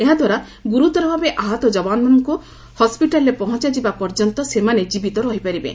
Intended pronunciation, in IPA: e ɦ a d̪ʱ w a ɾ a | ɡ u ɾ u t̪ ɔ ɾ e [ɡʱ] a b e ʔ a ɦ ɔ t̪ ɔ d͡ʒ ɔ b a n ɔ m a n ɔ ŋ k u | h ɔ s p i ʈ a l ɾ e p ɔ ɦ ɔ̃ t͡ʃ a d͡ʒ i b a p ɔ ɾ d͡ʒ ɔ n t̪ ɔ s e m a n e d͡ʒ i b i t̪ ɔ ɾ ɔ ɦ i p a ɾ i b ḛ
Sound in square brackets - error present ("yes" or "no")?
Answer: yes